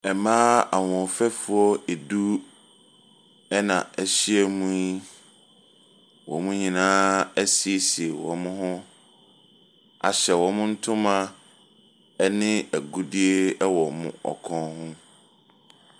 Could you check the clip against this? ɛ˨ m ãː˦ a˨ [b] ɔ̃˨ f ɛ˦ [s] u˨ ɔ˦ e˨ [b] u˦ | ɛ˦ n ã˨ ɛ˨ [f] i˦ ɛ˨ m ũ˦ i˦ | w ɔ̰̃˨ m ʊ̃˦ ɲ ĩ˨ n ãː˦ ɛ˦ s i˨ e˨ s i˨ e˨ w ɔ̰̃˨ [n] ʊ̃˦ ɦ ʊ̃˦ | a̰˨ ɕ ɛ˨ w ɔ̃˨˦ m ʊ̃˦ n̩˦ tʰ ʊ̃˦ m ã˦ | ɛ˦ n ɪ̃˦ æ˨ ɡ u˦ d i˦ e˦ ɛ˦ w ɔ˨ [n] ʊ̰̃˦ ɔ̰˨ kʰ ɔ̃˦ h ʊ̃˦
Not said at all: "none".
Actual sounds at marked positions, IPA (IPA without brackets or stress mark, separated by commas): w, f, d, ɕ, m, m